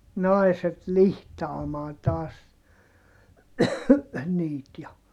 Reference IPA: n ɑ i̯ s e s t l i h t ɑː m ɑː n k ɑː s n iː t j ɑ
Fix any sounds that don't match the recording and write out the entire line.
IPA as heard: n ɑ i̯ s e t l i h t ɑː m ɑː n t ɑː s n iː t j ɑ

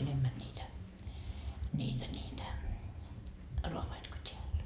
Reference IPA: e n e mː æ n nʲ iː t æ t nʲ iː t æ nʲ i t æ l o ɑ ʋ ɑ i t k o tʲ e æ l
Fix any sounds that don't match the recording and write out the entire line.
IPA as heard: e n e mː æ n nʲ iː t æ nʲ iː t æ nʲ iː t æ r o ɑ ʋ ɑ i t k o tʲ e æ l

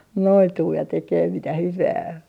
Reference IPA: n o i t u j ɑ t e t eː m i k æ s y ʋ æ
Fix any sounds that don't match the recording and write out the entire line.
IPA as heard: n o i t uː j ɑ t e k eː m i t æ h y ʋ æː

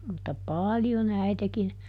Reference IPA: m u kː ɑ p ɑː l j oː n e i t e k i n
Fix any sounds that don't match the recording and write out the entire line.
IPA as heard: m u tː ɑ p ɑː l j o n æ i t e k i n

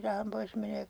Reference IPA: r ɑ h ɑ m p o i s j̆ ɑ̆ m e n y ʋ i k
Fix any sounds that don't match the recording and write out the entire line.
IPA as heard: r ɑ h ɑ m p o i s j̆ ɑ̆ m e n i ʋ æ k

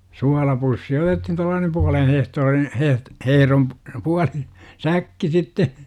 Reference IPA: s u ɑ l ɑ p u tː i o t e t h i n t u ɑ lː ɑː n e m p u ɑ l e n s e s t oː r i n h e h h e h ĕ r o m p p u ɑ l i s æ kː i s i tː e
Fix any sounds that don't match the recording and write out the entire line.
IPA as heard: s u ɑ l ɑ p u sː i o t e t h i n t u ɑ lː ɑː n e m p u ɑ l e n h e h t oː r i n h e h h e h ĕ r o m p p u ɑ l i s æ kː i s i tː e

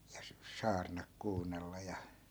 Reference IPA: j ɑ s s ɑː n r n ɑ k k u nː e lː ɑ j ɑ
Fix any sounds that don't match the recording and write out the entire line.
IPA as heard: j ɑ s s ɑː r n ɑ k k uː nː e lː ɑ j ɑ

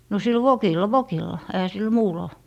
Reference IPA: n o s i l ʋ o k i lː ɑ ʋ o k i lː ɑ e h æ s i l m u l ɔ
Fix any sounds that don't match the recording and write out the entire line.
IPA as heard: n o s i l ʋ o k i lː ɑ ʋ o k i lː ɑ e h æ s i l m uː l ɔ

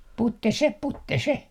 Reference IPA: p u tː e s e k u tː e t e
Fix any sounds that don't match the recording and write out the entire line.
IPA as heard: p u tː e s e p u tː e s e

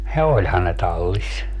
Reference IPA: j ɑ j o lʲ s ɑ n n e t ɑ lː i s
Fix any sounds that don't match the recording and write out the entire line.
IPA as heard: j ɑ o lʲ h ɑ n n e t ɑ lː i s

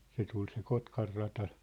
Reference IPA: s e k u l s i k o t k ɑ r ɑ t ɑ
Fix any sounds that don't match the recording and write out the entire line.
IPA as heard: s e t u l s e k o t k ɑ rː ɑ t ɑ

